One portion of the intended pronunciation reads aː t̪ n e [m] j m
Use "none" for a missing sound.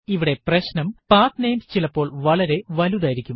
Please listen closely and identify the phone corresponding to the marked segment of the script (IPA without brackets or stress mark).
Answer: none